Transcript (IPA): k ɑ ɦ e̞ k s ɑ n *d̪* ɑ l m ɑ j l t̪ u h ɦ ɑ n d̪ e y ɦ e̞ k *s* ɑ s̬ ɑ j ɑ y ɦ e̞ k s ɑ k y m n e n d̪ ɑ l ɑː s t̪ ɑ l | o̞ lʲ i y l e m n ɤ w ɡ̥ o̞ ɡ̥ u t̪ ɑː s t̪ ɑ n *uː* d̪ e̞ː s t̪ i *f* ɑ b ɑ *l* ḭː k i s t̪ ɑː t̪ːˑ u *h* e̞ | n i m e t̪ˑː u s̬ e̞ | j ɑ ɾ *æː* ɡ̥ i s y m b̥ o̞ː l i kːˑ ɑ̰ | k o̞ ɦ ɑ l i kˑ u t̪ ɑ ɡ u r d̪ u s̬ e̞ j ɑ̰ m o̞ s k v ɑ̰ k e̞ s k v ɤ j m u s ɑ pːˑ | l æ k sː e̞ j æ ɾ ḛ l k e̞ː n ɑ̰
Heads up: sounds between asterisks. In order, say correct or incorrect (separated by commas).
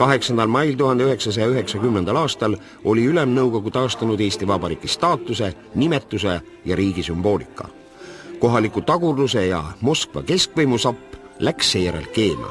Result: correct, correct, incorrect, incorrect, incorrect, incorrect, incorrect